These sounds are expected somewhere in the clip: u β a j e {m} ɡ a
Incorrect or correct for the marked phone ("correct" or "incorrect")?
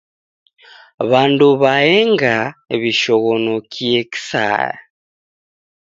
incorrect